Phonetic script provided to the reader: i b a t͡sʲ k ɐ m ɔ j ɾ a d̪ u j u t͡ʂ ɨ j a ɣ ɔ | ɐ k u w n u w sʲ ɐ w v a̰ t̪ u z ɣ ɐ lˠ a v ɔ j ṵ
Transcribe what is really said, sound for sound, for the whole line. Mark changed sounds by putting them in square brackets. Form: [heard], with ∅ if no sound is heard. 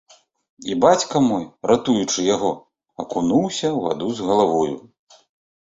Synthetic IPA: i b a t͡sʲ k ɐ m ɔ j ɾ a [t̪] u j u t͡ʂ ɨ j a ɣ ɔ | ɐ k u [∅] n u w sʲ ɐ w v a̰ [d̪] u z ɣ ɐ lˠ a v ɔ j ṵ